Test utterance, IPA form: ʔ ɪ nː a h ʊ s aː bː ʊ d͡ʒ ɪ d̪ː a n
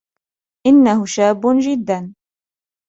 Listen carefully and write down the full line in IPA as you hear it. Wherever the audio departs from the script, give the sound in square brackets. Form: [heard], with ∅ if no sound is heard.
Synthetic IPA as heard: ʔ ɪ nː a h ʊ [ʃ] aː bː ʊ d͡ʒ ɪ d̪ː a n

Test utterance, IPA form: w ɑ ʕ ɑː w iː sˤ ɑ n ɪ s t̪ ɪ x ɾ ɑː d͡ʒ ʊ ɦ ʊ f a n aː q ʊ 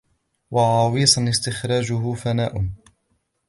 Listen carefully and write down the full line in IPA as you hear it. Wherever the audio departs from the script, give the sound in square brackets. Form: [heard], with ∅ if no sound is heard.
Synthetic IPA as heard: w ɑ ʕ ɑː w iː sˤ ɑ n ɪ s t̪ ɪ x ɾ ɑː d͡ʒ ʊ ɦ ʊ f a n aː [ʔ] ʊ

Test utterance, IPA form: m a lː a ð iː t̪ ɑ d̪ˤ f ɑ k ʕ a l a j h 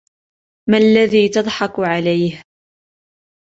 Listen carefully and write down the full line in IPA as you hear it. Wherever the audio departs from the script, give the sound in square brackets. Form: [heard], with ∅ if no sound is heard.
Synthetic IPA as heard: m a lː a ð iː t̪ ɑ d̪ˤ [ħ] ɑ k ʕ a l a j h

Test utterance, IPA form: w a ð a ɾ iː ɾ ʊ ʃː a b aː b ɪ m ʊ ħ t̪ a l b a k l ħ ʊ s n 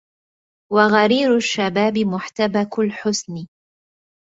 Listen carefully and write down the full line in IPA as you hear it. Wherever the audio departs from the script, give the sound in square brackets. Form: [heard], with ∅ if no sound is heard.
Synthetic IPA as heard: w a [ɣ] a ɾ iː ɾ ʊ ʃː a b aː b ɪ m ʊ ħ t̪ a [∅] b a k l ħ ʊ s n

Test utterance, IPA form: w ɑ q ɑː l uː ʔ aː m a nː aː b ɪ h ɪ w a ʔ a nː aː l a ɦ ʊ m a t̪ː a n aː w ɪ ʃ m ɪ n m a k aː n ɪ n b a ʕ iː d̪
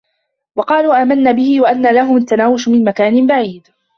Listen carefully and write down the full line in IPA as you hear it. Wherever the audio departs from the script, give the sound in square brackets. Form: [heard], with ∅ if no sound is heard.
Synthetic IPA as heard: w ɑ q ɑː l uː ʔ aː m a nː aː b ɪ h ɪ w a ʔ a nː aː l a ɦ ʊ m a t̪ː a n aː w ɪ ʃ m ɪ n m a k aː n ɪ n b a ʕ iː d̪

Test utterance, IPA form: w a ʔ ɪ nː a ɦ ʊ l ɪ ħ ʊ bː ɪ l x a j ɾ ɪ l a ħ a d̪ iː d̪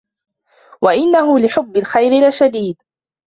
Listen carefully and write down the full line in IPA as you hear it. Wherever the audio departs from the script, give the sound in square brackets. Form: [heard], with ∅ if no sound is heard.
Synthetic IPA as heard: w a ʔ ɪ nː a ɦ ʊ l ɪ ħ ʊ bː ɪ l x a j ɾ ɪ l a [ʃ] a d̪ iː d̪

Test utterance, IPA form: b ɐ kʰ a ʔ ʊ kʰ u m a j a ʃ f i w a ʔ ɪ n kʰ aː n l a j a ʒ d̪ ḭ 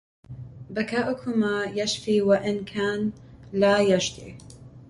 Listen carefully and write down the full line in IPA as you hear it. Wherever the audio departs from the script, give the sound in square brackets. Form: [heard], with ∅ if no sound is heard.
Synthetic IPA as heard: b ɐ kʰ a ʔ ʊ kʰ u m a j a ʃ f i w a ʔ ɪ n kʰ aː n l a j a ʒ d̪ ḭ

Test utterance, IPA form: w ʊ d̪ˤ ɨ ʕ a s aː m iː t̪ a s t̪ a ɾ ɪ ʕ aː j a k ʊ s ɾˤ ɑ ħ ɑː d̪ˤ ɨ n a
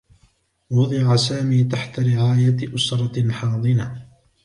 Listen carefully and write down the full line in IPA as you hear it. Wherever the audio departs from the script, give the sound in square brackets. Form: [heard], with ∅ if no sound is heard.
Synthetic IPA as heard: w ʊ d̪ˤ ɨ ʕ a s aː m iː t̪ a [ħ] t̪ a ɾ ɪ ʕ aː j a [ʔ] ʊ s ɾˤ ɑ ħ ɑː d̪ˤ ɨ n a

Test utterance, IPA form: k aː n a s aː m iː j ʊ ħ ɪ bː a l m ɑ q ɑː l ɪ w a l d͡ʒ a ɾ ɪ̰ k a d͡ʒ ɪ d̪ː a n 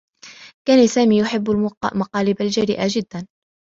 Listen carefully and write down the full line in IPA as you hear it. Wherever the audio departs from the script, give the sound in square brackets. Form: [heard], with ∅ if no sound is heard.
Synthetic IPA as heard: k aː n a s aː m iː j ʊ ħ ɪ bː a l m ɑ q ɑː l ɪ [b] a l d͡ʒ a ɾ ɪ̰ [ʔ] a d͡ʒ ɪ d̪ː a n

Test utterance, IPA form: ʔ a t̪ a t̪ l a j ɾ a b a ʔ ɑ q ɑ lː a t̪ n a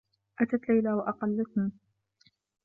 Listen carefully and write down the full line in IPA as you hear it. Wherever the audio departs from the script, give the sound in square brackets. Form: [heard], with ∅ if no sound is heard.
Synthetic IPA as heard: ʔ a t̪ a t̪ l a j [l] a [w] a ʔ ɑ q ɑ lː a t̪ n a

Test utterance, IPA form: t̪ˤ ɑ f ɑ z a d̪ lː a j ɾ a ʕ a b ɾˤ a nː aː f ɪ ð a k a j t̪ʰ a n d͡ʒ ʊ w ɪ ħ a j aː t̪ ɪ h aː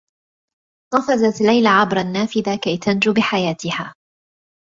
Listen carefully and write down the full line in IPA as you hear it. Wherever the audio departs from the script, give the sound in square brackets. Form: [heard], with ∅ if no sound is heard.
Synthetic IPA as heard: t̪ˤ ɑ f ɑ z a [t̪] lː a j [l] a ʕ a b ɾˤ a nː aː f ɪ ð a k a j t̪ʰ a n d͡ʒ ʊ [b] ɪ ħ a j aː t̪ ɪ h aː

